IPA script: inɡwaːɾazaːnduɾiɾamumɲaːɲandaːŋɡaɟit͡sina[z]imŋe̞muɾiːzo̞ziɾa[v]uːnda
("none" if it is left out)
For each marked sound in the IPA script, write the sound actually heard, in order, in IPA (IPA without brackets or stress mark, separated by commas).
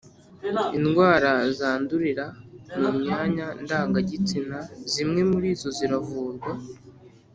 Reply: z, v